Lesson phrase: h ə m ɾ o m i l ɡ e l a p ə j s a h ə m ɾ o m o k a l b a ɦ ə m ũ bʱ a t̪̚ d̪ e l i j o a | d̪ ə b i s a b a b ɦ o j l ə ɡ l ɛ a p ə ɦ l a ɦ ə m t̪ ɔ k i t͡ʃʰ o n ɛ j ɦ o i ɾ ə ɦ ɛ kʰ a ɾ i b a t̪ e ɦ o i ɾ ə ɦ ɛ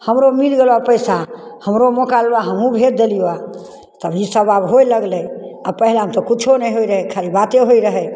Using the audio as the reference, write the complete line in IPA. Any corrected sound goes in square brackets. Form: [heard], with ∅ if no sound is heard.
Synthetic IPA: h ə m ɾ o m i l ɡ e l a p ə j s a h ə m ɾ o m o k a l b a ɦ ə m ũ bʱ [e] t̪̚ d̪ e l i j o a | [t̪] ə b i s [ə] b a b ɦ o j l ə ɡ l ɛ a p ə ɦ l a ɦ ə m t̪ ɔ k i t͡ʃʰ o n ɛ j ɦ o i ɾ ə ɦ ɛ kʰ a ɾ i b a t̪ e ɦ o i ɾ ə ɦ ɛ